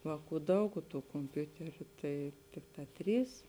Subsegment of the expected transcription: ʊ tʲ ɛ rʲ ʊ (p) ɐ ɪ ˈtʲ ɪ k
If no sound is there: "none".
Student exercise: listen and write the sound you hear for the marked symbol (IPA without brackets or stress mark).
t